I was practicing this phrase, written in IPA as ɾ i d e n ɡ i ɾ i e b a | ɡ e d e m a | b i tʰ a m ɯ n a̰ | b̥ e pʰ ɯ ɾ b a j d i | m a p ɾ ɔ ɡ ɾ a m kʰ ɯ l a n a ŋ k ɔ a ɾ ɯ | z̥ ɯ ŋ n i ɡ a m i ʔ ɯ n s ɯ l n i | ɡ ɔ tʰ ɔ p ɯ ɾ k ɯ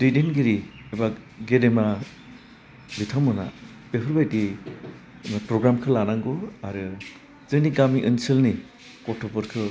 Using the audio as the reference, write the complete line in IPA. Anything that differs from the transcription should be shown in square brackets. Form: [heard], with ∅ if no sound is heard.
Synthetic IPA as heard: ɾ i d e n ɡ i ɾ i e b a | ɡ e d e m a | b i tʰ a m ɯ n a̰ | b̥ e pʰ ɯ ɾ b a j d i | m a p ɾ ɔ ɡ ɾ a m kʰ ɯ l a n a ŋ [ɡ] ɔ a ɾ ɯ | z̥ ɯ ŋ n i ɡ a m i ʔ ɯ n s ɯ l n i | [k] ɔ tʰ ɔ p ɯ ɾ [kʰ] ɯ

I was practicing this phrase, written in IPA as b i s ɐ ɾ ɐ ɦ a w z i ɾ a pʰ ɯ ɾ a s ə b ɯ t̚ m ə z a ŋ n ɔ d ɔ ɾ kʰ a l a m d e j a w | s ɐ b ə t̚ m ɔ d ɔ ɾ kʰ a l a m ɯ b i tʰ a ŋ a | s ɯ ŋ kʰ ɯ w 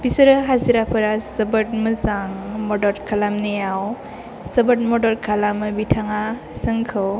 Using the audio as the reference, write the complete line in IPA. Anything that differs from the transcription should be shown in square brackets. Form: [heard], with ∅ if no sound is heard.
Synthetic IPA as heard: b i s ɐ ɾ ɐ ɦ a [∅] z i ɾ a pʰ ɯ ɾ a s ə b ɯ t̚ m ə z a ŋ [m] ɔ d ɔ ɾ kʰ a l a m [n] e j a w | s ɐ b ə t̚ m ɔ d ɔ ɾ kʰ a l a m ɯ b i tʰ a ŋ a | s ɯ ŋ kʰ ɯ w

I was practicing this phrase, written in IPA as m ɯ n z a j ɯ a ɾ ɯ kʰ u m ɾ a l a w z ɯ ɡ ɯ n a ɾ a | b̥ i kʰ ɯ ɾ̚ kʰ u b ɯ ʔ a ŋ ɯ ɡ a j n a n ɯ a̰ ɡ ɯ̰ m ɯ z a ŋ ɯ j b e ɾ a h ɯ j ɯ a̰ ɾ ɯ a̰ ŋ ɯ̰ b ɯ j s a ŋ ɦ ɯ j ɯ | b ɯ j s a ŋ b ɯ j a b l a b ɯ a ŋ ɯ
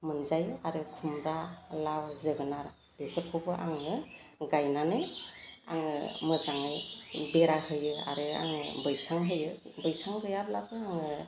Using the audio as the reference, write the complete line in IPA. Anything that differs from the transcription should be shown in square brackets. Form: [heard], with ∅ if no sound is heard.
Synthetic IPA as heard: m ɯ n z a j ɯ a ɾ ɯ kʰ u m ɾ a l a w z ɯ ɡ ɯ n a ɾ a | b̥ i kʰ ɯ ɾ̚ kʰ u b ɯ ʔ a ŋ ɯ ɡ a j n a n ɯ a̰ [ŋ] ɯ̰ m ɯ z a ŋ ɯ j b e ɾ a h ɯ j ɯ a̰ ɾ ɯ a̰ ŋ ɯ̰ b ɯ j s a ŋ ɦ ɯ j ɯ | b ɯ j s a ŋ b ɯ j a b l a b ɯ a ŋ ɯ

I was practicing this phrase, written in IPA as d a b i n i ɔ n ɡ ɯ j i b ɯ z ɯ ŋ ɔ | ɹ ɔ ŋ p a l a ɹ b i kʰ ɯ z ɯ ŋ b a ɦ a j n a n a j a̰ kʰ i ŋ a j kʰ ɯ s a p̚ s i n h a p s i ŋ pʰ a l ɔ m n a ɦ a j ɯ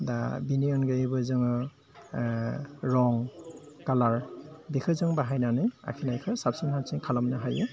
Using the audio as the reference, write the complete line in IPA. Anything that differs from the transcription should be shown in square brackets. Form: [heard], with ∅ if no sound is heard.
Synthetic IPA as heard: d a b i n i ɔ n ɡ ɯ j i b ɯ z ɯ ŋ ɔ | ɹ ɔ ŋ [k] a l a ɹ b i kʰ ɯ z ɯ ŋ b a ɦ a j n a n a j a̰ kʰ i [n] a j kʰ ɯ s a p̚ s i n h a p s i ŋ [kʰ] a l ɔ m n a ɦ a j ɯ

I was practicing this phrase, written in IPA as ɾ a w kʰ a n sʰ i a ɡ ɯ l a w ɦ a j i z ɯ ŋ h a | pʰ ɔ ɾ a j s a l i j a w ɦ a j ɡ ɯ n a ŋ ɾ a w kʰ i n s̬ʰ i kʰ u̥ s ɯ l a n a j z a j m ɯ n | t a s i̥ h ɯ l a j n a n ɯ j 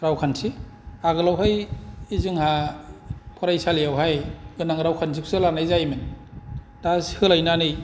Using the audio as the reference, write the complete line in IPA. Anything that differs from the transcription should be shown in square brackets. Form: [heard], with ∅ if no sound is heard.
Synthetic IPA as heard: ɾ a w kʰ a n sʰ i a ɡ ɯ l a w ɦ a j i z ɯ ŋ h a | pʰ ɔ ɾ a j s a l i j a w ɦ a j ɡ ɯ n a ŋ ɾ a w kʰ [a] n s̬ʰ i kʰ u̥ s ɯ l a n a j z a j m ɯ n | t a s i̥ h ɯ l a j n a n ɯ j

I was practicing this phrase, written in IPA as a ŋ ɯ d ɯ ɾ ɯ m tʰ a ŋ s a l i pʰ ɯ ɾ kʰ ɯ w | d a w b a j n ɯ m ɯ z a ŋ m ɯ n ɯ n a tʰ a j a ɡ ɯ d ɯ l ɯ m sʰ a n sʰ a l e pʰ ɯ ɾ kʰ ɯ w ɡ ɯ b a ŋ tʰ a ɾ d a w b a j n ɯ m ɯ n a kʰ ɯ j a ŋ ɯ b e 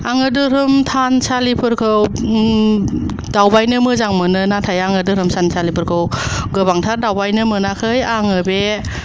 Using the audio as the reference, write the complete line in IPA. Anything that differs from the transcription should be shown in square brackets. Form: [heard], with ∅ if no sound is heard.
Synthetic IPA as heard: a ŋ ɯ d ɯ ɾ ɯ m tʰ a [n] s a l i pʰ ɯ ɾ kʰ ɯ w | d a w b a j n ɯ m ɯ z a ŋ m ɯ n ɯ n a tʰ a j a [ŋ] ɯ d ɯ [ɾ] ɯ m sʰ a n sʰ a l [i] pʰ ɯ ɾ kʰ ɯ w ɡ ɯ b a ŋ tʰ a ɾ d a w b a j n ɯ m ɯ n a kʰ ɯ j a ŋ ɯ b e

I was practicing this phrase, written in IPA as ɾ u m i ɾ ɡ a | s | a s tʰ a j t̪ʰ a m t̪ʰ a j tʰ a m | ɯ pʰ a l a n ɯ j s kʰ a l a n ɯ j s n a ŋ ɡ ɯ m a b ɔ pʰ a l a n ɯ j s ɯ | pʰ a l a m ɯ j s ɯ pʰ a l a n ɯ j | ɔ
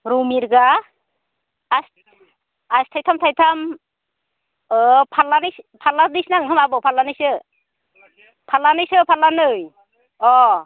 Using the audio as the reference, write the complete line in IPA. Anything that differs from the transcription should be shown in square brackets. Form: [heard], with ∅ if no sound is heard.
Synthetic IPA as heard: ɾ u m i ɾ ɡ a | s | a s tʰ a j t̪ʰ a m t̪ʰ a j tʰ a m | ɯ pʰ a l a n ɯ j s [pʰ] a l a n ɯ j s n a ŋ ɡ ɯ m a b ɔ pʰ a l a n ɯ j s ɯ | pʰ a l a [n] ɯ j s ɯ pʰ a l a n ɯ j | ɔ

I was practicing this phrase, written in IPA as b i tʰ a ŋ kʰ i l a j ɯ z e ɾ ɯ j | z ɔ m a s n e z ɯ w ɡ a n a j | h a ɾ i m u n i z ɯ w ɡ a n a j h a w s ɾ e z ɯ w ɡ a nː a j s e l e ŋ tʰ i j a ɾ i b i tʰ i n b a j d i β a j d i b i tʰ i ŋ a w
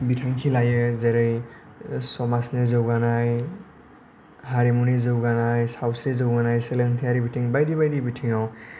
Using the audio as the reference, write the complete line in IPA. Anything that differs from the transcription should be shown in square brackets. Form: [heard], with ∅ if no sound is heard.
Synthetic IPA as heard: b i tʰ a ŋ kʰ i l a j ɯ z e ɾ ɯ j | [s] ɔ m a s n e z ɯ w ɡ a n a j | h a ɾ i m u n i z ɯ w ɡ a n a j [s] a w s ɾ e z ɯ w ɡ a [n] a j s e l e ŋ tʰ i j a ɾ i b i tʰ i [ŋ] b a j d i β a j d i b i tʰ i ŋ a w

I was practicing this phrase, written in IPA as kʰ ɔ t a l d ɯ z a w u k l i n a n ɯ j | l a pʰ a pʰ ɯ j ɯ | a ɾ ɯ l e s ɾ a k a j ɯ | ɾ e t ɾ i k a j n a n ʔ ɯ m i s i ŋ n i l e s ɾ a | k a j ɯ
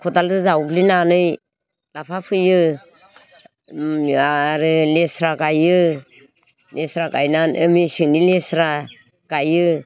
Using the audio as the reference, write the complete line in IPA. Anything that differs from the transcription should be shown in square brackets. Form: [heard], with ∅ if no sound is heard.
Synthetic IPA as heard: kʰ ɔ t a l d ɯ z a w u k l i n a n ɯ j | l a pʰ a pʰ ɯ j ɯ | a ɾ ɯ l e s ɾ a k a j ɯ | [l] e [s] ɾ [a] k a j n a n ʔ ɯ m i s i ŋ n i l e s ɾ a | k a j ɯ

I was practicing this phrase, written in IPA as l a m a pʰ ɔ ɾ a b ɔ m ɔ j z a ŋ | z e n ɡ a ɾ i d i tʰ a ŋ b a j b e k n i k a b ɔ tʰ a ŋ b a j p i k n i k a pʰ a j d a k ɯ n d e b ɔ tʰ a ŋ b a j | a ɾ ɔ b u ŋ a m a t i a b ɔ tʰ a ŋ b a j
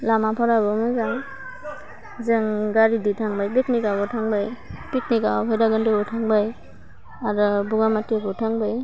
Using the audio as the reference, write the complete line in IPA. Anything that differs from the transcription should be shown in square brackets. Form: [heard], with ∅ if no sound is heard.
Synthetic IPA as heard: l a m a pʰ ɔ ɾ a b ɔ m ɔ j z a ŋ | z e [ŋ] ɡ a ɾ i d i tʰ a ŋ b a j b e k n i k a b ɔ tʰ a ŋ b a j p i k n i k a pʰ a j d a [ɡ] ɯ n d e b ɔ tʰ a ŋ b a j | a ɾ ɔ b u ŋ a m a t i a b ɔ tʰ a ŋ b a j

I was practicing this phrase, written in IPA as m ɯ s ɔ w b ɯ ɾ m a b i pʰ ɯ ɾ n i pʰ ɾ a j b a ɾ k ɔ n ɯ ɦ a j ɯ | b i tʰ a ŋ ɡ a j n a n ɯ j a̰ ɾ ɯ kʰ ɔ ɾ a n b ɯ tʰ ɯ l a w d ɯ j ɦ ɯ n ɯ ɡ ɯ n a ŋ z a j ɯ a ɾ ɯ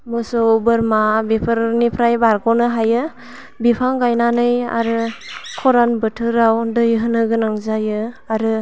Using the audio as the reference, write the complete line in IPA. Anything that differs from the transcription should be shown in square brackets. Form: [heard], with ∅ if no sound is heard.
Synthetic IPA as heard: m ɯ s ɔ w b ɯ ɾ m a b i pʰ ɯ ɾ n i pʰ ɾ a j b a ɾ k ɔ n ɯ ɦ a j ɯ | b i [pʰ] a ŋ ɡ a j n a n ɯ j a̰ ɾ ɯ kʰ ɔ ɾ a n b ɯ tʰ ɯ [ɾ] a w d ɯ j ɦ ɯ n ɯ ɡ ɯ n a ŋ z a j ɯ a ɾ ɯ

